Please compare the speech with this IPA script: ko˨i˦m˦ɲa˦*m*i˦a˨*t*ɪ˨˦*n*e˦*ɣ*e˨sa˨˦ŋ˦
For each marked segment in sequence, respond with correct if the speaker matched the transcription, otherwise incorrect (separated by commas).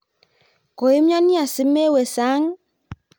incorrect, incorrect, incorrect, incorrect